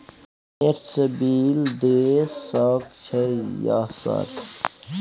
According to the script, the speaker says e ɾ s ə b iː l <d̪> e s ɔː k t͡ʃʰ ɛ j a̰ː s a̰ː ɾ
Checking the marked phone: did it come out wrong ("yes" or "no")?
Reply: no